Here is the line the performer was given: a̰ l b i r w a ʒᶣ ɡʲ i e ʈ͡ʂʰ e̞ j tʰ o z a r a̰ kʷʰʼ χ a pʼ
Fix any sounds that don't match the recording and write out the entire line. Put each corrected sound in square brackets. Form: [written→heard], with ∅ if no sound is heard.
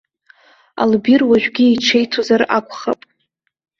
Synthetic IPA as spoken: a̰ l b i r w a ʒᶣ ɡʲ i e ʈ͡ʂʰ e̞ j tʰ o z a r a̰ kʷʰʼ χ a pʼ